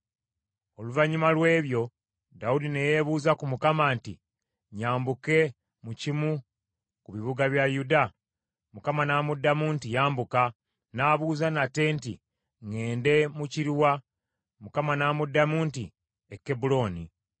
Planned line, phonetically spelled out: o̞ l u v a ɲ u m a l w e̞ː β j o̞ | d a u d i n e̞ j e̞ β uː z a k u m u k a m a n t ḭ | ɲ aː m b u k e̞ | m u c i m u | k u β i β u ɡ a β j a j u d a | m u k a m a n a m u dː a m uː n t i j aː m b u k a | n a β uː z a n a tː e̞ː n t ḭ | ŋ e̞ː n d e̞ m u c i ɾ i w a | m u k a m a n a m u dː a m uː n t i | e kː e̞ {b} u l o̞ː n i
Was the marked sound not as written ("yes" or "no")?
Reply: no